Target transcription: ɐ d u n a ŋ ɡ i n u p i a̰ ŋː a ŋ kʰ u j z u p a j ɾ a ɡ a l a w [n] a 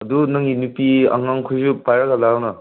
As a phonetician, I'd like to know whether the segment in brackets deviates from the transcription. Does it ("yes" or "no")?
no